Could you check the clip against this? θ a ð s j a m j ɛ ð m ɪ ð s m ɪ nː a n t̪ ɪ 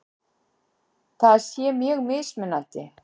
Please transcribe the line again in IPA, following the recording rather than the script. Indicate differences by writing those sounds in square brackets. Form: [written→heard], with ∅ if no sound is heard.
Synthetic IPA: θ a ð s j [a→ɛ] m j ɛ [ð→ɣ] m ɪ ð s m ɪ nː a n t̪ ɪ